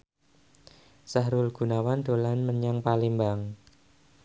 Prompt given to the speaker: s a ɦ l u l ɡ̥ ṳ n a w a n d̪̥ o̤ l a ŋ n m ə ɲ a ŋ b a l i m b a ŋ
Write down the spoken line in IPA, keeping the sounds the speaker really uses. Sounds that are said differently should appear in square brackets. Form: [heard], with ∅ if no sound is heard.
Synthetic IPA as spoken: s a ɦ [ɾ] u l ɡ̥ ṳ n a w a n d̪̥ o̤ l a [∅] n m ə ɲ a ŋ [p] a l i m b a ŋ